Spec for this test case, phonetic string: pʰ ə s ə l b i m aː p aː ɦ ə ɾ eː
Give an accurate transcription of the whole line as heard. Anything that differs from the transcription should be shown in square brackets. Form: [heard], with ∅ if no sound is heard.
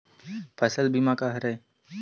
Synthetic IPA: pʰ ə s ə l b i m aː [k] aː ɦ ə ɾ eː